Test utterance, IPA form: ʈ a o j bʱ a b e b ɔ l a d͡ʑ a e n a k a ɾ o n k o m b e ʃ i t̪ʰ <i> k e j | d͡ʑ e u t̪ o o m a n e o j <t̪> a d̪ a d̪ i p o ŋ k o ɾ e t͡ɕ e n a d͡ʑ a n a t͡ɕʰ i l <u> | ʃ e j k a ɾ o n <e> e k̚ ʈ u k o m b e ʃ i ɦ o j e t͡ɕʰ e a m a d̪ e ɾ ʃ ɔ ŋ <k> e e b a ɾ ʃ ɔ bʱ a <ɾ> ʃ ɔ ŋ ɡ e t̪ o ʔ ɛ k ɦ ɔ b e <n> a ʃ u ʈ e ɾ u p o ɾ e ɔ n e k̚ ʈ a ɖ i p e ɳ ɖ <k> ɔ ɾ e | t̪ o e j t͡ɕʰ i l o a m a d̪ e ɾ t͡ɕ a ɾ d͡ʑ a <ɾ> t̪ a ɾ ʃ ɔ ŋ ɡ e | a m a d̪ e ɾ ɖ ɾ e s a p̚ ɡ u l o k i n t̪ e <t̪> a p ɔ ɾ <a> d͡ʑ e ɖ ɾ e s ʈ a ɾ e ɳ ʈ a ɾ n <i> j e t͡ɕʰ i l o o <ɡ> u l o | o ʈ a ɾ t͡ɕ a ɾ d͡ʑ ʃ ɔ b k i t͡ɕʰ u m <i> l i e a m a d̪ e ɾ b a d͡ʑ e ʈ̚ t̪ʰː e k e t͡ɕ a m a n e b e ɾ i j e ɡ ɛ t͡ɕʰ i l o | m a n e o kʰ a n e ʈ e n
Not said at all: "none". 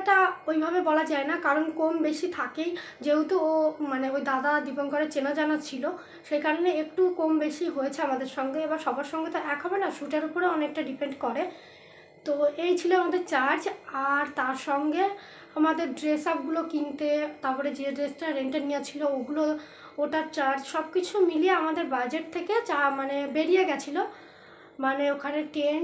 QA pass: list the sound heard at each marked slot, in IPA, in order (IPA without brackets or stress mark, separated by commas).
a, d̪, o, e, ɡ, ɾ, n, k, ɾ, t̪, e, i, ɡ, i